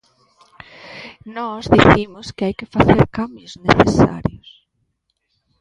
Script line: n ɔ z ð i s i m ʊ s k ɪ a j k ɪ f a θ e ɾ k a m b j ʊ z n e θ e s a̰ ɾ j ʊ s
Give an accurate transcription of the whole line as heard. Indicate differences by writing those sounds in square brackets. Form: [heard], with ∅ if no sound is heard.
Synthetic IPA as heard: n ɔ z ð i [θ] i m ʊ s k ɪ a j k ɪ f a θ e ɾ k a m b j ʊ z n e θ e s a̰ ɾ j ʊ s